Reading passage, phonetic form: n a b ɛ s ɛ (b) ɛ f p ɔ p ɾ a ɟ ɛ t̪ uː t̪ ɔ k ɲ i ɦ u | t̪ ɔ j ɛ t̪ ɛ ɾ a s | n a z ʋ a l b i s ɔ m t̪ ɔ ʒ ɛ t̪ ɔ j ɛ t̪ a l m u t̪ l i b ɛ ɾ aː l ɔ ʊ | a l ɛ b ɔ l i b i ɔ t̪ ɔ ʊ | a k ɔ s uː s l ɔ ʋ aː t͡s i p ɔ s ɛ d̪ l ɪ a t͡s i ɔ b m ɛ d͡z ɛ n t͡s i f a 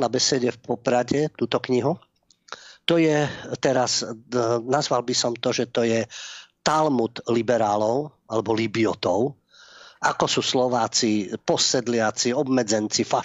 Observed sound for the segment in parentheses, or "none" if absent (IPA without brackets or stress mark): ɟ